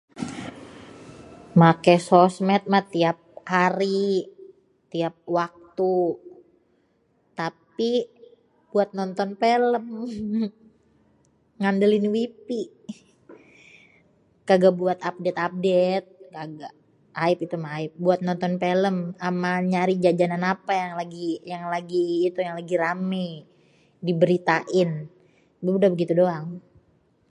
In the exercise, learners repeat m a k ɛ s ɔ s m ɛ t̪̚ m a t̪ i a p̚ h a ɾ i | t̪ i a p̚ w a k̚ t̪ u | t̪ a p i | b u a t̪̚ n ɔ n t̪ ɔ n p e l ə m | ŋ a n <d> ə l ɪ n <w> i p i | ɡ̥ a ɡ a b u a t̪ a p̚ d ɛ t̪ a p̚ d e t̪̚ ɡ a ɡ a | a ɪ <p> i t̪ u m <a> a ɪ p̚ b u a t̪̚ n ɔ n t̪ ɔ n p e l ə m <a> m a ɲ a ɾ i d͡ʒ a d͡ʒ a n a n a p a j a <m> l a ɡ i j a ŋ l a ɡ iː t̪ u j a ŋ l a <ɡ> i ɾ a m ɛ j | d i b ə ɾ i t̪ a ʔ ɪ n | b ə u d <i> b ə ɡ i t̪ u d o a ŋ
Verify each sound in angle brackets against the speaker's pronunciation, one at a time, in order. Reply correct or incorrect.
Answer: correct, correct, correct, correct, correct, incorrect: ŋ, correct, incorrect: a

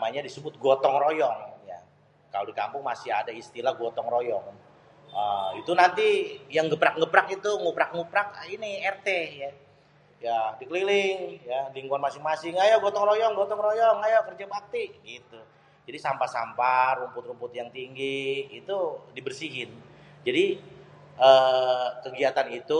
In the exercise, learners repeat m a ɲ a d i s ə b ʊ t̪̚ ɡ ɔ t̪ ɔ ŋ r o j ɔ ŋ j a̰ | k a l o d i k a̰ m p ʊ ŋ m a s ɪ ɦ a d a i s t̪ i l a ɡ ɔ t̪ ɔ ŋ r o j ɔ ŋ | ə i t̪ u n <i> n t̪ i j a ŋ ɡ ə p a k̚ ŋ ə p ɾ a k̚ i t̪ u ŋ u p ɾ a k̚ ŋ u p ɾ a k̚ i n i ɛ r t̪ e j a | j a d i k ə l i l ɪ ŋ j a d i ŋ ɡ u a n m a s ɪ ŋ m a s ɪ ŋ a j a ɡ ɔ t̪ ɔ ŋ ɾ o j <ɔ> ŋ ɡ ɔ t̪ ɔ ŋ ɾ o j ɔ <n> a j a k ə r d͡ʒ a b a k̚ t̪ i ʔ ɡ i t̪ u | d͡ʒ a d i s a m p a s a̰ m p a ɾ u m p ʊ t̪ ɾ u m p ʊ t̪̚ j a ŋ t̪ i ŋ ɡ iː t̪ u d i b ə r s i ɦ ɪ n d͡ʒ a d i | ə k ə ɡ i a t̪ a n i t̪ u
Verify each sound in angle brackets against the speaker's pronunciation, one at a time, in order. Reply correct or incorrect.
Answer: incorrect: a, correct, incorrect: ŋ

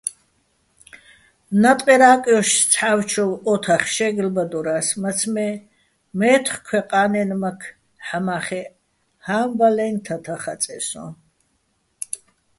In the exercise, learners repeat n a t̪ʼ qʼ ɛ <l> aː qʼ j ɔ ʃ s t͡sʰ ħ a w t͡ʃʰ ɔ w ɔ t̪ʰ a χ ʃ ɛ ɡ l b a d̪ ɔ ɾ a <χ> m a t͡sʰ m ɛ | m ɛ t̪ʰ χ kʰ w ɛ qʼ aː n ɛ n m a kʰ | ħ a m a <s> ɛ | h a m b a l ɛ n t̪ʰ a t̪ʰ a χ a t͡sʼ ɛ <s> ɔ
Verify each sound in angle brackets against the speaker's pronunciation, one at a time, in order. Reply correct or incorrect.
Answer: incorrect: ɾ, incorrect: s, incorrect: χ, correct

